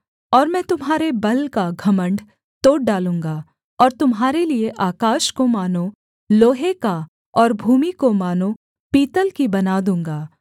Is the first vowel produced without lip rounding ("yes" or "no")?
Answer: no